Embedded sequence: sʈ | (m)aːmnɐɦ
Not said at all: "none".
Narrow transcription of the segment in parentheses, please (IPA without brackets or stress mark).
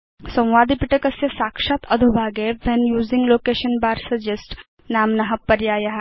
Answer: n